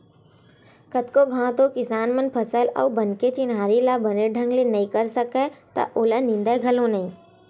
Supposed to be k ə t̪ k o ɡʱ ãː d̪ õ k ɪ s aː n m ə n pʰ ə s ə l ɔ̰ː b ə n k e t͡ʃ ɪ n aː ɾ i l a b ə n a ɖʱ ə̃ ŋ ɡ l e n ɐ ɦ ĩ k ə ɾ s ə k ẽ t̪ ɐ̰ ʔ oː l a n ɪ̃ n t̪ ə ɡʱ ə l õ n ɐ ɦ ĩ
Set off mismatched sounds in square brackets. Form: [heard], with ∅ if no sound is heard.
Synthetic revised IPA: k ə t̪ k o ɡʱ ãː [t̪] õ k ɪ s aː n m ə n pʰ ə s ə l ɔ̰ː b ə n k e t͡ʃ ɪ n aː ɾ i l a b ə n [e] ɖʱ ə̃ ŋ ɡ l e n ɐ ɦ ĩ k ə ɾ s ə k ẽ t̪ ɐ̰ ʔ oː l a n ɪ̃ n [d̪] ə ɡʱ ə l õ n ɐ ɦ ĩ